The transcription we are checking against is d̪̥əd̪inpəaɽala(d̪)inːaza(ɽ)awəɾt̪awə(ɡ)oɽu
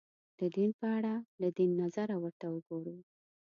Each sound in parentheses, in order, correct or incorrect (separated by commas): correct, incorrect, correct